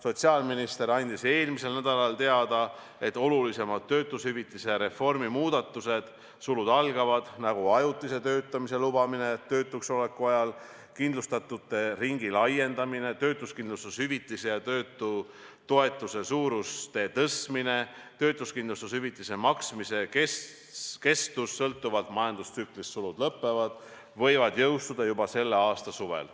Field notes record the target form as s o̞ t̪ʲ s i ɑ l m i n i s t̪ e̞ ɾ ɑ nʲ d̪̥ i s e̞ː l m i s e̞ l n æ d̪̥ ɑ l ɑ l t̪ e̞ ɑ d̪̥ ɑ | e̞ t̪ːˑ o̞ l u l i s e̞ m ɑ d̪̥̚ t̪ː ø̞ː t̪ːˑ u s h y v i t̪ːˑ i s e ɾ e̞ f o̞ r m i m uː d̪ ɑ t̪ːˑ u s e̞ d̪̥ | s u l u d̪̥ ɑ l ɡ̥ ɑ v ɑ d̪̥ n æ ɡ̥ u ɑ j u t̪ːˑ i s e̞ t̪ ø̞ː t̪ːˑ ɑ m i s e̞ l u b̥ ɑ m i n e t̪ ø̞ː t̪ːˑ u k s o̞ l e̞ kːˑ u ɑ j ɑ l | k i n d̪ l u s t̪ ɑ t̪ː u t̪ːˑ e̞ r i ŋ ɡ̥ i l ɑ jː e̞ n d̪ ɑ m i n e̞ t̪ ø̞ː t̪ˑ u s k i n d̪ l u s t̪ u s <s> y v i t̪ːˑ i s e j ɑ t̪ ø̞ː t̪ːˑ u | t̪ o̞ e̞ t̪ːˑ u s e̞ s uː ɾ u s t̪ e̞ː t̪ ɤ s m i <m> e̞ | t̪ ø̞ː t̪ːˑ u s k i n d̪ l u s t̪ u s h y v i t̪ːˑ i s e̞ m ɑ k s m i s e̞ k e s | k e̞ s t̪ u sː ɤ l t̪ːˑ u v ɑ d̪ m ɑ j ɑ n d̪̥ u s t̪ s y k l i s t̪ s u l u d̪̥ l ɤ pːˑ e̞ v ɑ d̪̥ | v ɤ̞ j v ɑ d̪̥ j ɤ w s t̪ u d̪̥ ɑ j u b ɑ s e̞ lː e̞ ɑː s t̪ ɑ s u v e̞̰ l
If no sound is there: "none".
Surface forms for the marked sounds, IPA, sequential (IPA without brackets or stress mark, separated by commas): h, n